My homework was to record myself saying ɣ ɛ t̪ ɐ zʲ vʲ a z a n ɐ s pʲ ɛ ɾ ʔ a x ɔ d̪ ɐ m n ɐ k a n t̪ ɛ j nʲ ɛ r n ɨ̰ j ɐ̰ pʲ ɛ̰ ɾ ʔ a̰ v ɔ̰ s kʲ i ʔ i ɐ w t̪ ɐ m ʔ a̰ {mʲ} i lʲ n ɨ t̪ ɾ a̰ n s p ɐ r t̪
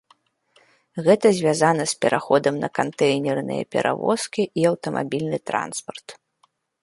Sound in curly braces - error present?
yes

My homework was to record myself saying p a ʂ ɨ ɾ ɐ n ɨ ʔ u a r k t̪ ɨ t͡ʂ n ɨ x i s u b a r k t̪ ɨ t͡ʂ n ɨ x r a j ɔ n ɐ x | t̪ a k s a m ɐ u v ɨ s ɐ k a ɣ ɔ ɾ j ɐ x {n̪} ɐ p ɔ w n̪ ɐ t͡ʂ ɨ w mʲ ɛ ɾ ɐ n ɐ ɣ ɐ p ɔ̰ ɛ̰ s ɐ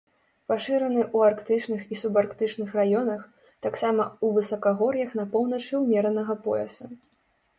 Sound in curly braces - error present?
no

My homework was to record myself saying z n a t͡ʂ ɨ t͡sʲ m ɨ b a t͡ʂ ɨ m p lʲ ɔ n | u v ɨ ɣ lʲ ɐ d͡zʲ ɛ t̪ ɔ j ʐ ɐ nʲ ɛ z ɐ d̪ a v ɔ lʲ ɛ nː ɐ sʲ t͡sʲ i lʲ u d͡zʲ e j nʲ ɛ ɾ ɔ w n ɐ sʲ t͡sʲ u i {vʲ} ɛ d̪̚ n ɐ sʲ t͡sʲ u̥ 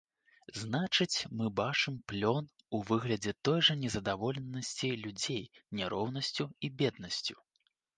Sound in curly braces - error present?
yes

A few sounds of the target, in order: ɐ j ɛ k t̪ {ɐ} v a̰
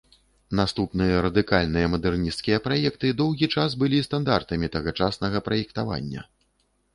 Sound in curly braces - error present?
yes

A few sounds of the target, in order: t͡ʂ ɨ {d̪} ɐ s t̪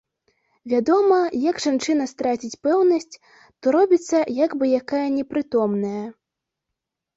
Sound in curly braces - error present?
yes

